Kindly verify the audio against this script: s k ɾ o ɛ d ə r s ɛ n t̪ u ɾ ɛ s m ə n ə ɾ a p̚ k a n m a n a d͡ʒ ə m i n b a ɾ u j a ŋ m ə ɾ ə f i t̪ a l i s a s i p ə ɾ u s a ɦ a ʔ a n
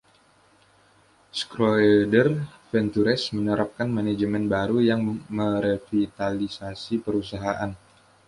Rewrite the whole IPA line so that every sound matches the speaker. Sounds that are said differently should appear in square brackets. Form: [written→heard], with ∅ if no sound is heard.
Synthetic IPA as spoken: s k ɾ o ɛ d ə r [s→f] ɛ n t̪ u ɾ ɛ s m ə n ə ɾ a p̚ k a n m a n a d͡ʒ ə m [i→ɛ] n b a ɾ u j a ŋ m ə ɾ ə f i t̪ a l i s a s i p ə ɾ u s a ɦ a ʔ a n